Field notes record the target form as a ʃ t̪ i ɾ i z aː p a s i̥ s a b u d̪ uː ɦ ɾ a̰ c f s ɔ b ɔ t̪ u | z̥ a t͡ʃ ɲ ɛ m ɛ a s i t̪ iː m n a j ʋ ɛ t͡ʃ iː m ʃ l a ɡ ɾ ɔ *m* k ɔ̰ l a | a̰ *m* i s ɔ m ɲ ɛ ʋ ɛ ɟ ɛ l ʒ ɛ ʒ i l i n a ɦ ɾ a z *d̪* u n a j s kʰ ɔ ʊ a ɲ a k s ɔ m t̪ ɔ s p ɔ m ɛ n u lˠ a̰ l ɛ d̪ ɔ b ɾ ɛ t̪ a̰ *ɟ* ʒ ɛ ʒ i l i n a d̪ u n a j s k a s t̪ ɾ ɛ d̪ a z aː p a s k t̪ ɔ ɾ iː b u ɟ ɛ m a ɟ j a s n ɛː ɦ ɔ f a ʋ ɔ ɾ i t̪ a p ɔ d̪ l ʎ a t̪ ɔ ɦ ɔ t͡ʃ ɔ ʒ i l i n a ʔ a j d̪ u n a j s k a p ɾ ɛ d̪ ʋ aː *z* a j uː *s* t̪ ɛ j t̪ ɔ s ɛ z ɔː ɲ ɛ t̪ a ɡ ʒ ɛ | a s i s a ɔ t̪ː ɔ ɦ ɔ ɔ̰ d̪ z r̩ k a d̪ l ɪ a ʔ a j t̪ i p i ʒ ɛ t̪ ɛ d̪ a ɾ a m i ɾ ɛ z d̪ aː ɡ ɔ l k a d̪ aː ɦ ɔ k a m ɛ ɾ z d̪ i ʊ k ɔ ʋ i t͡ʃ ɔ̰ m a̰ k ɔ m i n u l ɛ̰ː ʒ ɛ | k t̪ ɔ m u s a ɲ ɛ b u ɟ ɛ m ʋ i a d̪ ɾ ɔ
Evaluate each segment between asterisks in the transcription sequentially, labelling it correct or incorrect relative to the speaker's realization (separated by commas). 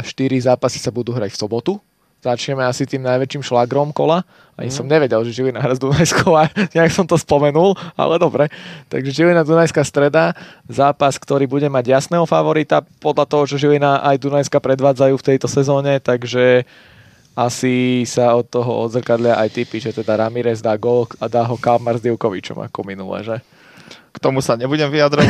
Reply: correct, incorrect, correct, incorrect, incorrect, incorrect